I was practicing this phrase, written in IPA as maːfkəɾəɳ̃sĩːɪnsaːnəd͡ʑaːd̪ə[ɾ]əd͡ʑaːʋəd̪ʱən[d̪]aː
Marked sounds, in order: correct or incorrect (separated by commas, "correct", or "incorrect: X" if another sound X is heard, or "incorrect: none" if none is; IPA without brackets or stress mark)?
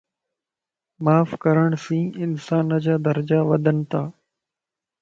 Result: correct, incorrect: t̪